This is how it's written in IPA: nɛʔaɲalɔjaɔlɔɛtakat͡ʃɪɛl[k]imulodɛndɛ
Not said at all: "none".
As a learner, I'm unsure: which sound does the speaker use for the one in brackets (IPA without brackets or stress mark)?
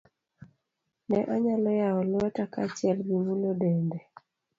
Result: ɡ